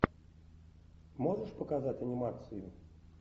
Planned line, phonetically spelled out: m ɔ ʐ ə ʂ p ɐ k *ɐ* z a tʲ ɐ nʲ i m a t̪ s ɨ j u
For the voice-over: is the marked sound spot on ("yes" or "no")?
no